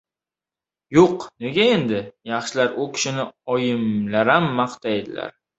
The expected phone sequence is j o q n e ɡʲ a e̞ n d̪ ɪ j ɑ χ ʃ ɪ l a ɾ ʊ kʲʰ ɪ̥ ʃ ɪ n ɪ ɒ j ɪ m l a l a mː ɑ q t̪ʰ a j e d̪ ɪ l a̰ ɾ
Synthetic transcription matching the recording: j o q n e ɡʲ a e̞ n d̪ ɪ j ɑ χ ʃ ɪ l a ɾ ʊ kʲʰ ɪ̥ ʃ ɪ n ɪ ɒ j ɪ m l a ɾ a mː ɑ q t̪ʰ a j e d̪ ɪ l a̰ ɾ